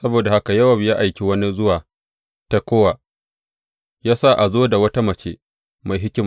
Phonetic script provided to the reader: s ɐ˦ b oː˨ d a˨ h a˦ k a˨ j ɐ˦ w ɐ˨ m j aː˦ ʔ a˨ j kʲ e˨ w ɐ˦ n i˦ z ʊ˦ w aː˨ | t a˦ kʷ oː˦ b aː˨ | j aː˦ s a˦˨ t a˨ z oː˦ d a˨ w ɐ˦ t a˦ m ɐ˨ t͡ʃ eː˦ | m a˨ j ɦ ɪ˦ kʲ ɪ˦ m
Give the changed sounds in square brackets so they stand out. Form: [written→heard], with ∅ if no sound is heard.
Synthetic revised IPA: s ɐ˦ b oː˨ d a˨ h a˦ k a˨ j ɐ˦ w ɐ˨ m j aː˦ ʔ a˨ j kʲ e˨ w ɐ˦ n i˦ z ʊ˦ w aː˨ | t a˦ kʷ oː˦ [b→w] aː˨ | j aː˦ s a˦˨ [t→ʔ] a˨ z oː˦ d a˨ w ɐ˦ t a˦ m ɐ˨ t͡ʃ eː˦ | m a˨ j ɦ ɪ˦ kʲ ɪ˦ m